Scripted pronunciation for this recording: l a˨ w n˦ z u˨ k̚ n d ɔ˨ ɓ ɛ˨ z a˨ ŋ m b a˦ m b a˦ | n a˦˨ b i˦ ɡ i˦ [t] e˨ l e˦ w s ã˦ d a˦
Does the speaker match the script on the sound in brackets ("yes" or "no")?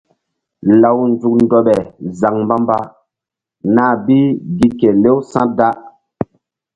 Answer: no